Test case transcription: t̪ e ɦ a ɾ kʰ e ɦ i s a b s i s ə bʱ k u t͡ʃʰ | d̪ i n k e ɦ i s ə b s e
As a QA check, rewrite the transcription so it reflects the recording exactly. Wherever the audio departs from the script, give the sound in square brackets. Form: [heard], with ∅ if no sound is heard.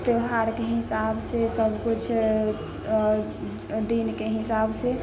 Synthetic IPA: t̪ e ɦ a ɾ [k] e ɦ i s a b s [e] s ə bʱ k u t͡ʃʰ | d̪ i n k e ɦ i s [a] b s e